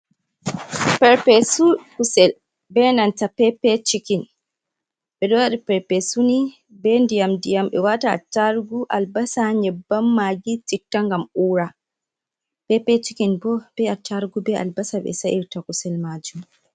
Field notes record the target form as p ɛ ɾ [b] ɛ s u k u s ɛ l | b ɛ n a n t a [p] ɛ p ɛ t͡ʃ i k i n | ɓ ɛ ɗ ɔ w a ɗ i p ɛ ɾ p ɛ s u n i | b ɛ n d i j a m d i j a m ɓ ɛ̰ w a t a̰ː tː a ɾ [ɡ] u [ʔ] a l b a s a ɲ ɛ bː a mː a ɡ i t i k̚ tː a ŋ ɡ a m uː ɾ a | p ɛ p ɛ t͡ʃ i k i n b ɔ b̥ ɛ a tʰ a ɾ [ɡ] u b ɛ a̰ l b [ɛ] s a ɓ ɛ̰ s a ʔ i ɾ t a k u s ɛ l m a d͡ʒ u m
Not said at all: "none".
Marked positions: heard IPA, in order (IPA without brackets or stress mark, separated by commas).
p, p, ɡ, ʔ, ɡ, a